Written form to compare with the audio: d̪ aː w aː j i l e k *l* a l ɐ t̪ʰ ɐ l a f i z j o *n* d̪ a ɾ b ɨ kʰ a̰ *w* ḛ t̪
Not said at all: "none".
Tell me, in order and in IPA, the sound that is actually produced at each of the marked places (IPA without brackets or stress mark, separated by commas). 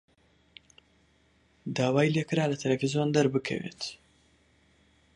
ɾ, n, w